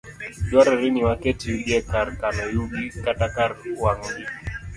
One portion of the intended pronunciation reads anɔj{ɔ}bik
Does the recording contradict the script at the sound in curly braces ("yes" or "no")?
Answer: yes